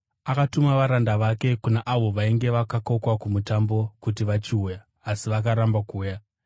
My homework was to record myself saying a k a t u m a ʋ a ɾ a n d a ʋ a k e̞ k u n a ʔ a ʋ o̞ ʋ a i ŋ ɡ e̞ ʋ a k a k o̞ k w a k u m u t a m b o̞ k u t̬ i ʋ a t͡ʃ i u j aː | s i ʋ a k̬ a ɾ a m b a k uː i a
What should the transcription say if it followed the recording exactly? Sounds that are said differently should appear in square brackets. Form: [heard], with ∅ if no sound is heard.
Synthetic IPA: a k a t u m a ʋ a ɾ a n d a ʋ a k e̞ k u n a ʔ a ʋ o̞ ʋ a i ŋ ɡ e̞ ʋ a k a k o̞ k w a k u m u t a m b o̞ k u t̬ i ʋ a t͡ʃ i u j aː | s i ʋ a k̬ a ɾ a m b a k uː [j] a